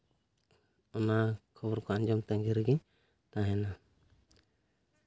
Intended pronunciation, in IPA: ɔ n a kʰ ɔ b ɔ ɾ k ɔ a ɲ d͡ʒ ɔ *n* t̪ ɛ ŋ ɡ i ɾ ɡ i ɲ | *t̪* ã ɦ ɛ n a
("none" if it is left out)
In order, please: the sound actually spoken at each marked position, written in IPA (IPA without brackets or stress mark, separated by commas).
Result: m, t̪